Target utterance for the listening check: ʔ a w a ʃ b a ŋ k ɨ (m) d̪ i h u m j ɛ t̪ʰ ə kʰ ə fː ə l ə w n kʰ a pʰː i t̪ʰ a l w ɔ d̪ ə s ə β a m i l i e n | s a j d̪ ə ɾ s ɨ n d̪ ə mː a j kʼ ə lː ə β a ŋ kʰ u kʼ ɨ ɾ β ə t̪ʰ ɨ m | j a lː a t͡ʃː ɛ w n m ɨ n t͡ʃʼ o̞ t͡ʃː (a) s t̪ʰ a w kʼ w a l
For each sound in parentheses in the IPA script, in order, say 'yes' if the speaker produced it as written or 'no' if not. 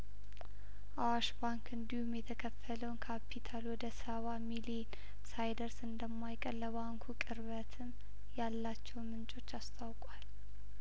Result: no, yes

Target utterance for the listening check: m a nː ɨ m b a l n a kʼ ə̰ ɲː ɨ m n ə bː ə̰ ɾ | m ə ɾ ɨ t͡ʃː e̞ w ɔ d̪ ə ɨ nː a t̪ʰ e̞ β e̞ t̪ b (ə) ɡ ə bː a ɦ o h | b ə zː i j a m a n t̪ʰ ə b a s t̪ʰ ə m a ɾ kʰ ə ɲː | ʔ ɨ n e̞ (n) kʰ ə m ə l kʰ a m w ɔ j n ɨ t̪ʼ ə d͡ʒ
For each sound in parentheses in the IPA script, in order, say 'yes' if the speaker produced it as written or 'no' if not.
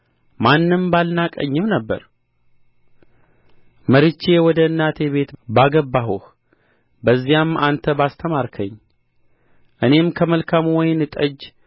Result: no, no

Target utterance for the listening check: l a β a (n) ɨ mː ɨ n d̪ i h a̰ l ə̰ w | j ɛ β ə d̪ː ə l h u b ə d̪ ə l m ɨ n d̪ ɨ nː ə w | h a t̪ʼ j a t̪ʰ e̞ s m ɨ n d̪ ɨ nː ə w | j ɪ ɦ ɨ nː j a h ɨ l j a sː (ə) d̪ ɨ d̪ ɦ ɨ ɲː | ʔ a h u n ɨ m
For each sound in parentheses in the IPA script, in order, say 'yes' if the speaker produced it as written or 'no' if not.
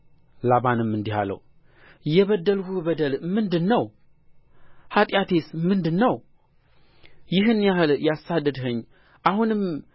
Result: yes, no

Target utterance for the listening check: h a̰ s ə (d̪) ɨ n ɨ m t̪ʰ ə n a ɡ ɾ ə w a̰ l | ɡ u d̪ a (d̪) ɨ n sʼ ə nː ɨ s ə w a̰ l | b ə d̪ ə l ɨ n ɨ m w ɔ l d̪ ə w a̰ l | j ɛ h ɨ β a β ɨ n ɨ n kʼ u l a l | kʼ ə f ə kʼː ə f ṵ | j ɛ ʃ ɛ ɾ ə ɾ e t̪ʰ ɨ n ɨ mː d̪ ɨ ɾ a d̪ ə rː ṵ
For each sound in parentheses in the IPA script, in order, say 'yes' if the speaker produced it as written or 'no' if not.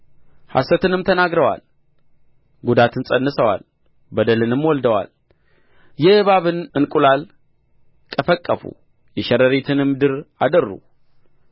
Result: no, no

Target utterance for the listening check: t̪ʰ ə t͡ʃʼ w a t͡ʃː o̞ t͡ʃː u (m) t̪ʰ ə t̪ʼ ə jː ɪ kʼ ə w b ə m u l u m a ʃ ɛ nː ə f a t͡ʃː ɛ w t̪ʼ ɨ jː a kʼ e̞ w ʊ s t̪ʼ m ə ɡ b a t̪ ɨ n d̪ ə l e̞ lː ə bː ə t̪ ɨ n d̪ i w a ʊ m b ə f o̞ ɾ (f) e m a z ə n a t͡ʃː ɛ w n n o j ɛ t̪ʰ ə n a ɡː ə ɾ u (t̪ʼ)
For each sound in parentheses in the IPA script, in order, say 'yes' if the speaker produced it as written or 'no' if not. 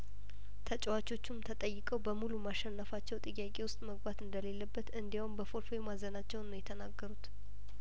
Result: yes, yes, no

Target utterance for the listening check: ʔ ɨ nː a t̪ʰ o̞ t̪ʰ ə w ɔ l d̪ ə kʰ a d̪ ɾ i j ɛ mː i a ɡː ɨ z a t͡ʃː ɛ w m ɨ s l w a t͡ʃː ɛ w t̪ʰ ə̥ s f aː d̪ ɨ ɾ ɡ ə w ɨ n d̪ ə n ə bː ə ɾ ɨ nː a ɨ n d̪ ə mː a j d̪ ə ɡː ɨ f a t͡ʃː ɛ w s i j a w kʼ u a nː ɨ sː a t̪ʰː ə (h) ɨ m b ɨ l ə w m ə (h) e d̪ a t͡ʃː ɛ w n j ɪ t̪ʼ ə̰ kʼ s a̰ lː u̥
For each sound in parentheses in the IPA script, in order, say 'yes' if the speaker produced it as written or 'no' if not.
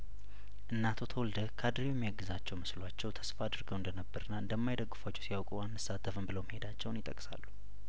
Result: no, yes

